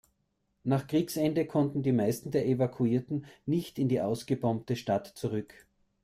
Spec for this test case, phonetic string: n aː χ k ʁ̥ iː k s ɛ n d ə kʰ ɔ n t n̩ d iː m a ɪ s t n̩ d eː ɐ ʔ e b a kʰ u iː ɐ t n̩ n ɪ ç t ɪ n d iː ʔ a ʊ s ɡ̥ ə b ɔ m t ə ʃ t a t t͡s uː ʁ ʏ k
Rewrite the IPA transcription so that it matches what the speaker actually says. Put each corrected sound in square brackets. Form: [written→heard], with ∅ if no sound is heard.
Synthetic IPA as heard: n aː χ k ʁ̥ iː k s ɛ n d ə kʰ ɔ n t n̩ d iː m a ɪ s t n̩ d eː ɐ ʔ e [b→v] a kʰ u iː ɐ t n̩ n ɪ ç t ɪ n d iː ʔ a ʊ s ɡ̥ ə b ɔ m t ə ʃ t a t t͡s [uː→u] ʁ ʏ k